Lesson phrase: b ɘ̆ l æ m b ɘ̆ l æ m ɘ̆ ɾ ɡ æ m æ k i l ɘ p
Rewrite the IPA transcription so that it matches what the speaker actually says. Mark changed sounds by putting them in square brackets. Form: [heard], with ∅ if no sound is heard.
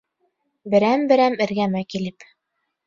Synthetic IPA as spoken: b ɘ̆ [ɾ] æ m b ɘ̆ [ɾ] æ m ɘ̆ ɾ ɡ æ m æ k i l ɘ p

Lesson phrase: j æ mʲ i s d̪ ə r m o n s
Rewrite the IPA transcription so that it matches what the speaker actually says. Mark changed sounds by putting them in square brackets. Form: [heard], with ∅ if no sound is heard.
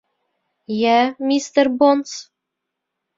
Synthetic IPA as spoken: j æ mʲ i s [t̪] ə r [b] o n s

